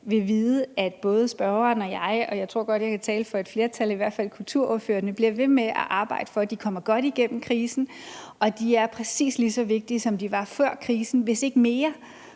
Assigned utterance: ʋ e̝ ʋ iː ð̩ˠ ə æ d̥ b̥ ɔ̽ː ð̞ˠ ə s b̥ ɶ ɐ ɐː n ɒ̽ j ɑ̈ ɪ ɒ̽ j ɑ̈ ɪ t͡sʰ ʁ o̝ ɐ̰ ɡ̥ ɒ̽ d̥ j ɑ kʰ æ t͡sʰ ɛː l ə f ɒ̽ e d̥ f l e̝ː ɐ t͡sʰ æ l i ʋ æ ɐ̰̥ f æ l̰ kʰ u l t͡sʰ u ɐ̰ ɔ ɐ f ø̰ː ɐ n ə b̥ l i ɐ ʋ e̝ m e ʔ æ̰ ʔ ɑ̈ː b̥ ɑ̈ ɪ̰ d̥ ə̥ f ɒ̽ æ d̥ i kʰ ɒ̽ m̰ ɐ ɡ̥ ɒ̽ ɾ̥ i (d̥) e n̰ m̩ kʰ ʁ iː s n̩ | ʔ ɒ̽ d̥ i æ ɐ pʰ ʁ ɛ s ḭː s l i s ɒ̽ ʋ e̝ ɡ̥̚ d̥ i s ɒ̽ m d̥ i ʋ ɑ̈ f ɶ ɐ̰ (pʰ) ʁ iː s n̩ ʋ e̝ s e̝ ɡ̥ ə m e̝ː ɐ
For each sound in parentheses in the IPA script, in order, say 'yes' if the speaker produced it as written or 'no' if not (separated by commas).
no, no